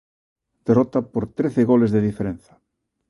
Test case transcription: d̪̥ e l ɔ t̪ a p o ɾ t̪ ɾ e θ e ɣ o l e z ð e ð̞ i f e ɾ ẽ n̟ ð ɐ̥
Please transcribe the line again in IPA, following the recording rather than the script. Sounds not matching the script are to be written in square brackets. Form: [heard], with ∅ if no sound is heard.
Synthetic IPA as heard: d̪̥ e [r] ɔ t̪ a p o ɾ t̪ ɾ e θ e ɣ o l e z ð e ð̞ i f e ɾ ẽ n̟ [θ] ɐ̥